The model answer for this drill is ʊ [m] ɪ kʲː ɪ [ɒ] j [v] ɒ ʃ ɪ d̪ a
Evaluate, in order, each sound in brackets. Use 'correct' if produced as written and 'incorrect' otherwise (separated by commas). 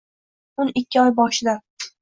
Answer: incorrect, correct, incorrect